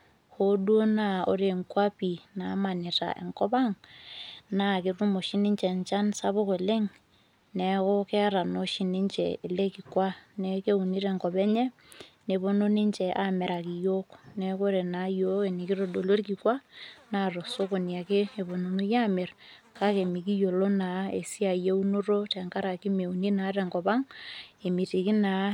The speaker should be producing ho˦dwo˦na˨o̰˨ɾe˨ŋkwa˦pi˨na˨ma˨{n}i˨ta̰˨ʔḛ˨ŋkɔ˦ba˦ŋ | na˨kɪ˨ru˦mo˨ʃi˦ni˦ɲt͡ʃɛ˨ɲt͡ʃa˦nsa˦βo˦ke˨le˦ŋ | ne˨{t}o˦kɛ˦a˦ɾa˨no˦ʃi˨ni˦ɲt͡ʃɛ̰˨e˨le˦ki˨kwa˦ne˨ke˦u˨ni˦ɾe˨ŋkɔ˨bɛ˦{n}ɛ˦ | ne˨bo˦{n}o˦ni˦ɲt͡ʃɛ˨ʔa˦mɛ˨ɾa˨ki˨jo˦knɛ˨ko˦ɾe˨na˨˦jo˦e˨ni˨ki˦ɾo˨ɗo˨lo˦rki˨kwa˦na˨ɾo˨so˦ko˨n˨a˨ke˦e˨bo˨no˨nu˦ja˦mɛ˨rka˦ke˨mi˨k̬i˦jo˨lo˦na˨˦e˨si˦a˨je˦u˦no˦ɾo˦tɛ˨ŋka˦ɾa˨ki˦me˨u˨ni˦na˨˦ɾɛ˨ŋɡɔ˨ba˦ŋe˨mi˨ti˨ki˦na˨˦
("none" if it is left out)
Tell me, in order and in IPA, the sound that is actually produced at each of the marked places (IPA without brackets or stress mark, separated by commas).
n, k, ɲ, n